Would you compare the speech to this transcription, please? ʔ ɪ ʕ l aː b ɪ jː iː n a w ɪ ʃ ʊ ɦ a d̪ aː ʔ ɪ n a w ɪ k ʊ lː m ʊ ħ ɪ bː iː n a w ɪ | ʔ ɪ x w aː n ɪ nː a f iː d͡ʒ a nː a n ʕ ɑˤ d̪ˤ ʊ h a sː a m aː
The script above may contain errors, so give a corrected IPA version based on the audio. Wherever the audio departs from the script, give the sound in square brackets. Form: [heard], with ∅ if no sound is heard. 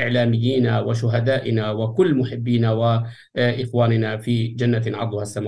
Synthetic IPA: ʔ ɪ ʕ l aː [m] ɪ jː iː n a w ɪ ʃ ʊ ɦ a d̪ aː ʔ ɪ n a w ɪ k ʊ lː m ʊ ħ ɪ bː iː n a w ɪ | ʔ ɪ x w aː n ɪ [n] a f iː d͡ʒ a nː a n ʕ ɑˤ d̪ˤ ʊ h a sː a m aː